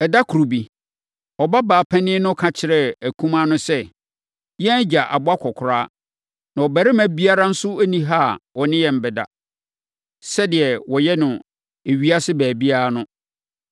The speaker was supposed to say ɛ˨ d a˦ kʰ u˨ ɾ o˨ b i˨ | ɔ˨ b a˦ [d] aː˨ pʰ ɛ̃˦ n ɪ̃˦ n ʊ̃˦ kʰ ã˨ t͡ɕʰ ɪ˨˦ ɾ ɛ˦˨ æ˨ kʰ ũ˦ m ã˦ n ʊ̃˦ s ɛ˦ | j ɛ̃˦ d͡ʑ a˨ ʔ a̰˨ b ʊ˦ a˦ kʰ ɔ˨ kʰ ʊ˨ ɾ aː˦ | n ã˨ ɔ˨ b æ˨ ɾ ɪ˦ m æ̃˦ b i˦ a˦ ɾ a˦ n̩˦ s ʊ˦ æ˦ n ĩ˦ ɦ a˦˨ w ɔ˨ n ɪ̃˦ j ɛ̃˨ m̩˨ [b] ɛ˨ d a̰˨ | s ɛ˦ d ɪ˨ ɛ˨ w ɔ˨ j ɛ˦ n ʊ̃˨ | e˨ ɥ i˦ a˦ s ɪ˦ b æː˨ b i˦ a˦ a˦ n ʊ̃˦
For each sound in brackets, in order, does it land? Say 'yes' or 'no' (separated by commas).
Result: no, yes